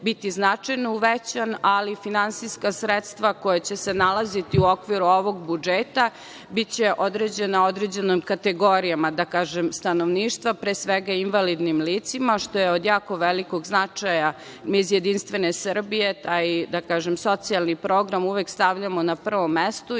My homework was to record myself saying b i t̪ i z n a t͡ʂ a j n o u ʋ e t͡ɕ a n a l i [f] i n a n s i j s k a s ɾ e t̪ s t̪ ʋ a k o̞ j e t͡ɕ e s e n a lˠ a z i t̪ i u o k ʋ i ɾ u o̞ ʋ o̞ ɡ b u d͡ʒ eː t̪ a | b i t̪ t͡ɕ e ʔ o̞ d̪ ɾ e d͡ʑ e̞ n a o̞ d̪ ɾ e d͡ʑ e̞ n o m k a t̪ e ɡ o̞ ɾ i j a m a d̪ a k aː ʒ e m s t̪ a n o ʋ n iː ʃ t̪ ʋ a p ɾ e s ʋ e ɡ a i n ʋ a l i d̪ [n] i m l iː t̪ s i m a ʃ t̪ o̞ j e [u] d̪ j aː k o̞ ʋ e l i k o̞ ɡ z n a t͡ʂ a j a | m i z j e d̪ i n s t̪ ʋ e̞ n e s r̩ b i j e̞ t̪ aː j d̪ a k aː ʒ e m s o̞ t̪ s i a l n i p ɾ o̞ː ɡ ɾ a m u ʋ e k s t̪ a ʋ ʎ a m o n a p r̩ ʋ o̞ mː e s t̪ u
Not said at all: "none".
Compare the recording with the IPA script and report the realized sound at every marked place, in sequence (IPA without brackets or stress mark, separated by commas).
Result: f, n, o